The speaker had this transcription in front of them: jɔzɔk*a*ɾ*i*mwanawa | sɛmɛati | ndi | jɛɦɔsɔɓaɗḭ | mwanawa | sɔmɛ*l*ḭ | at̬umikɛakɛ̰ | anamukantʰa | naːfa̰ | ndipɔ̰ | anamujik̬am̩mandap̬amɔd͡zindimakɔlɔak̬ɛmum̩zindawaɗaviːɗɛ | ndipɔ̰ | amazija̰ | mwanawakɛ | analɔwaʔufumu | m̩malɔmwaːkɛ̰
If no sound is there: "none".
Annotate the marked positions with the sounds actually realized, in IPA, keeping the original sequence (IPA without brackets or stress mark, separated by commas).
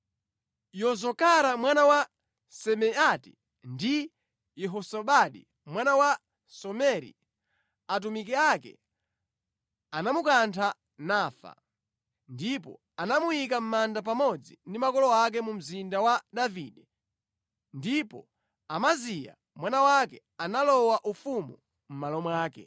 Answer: a, a, ɾ